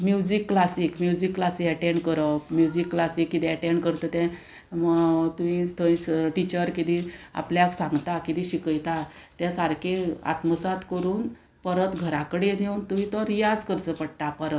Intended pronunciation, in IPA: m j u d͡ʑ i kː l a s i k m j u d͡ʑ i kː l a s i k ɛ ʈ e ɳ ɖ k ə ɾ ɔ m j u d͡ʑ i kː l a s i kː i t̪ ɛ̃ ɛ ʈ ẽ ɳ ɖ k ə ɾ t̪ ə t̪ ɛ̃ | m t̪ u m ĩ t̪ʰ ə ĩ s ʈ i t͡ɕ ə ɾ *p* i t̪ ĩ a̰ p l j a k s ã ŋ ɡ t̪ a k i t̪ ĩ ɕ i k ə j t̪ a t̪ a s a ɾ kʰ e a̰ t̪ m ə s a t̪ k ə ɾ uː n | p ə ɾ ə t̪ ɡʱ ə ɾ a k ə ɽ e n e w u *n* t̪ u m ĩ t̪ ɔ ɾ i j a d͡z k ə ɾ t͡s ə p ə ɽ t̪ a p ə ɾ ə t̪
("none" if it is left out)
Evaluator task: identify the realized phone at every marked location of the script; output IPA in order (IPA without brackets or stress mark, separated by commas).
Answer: k, n